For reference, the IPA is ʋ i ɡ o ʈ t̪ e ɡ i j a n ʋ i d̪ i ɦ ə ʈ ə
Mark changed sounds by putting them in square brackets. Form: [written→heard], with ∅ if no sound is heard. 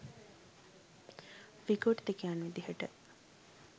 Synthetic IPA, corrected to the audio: ʋ i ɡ o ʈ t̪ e [ɡ→k] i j a n ʋ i d̪ i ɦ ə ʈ ə